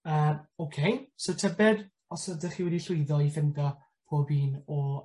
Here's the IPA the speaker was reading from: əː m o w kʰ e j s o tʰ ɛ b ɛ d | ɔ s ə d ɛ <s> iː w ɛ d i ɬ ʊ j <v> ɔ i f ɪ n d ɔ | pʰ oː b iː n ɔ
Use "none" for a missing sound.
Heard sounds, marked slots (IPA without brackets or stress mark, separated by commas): χ, ð